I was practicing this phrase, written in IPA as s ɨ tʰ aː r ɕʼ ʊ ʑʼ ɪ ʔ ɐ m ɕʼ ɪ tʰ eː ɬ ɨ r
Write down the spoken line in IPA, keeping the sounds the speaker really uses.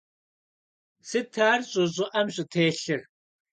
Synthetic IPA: s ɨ tʰ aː r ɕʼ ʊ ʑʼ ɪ ʔ ɐ m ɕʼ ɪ tʰ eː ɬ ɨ r